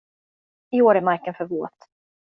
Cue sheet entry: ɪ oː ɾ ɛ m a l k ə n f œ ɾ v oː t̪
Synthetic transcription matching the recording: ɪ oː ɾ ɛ m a ɾ k ə n f œ ɾ v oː t̪